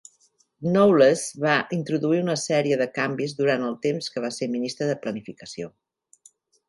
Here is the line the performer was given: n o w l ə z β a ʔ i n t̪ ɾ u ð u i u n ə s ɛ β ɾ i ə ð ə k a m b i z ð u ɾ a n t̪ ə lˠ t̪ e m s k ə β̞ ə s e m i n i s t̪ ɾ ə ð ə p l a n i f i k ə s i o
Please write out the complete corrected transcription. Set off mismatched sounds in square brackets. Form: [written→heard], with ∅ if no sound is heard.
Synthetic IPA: n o w l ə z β a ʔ i n t̪ ɾ u ð u i u n ə s ɛ [β→∅] ɾ i ə ð ə k a m b i z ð u ɾ a n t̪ ə lˠ t̪ e m s k ə β̞ [ə→a] s e m i n i s t̪ ɾ ə ð ə p l [a→ə] n i f i k ə s i o